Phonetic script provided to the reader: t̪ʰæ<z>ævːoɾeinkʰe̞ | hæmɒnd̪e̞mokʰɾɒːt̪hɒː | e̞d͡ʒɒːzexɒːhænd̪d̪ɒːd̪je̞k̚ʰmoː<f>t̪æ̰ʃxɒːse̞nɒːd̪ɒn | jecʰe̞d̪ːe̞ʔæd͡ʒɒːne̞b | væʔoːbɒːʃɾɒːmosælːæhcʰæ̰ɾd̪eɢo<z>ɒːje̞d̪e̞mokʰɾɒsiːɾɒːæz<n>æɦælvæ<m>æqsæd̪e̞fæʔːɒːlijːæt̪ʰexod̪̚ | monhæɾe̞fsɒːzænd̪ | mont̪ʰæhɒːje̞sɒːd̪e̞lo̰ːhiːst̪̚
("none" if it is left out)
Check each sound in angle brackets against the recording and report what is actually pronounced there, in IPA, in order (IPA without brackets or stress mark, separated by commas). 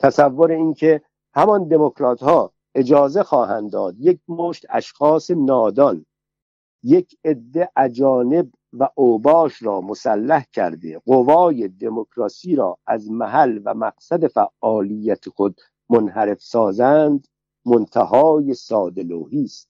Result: s, ʃ, v, m, m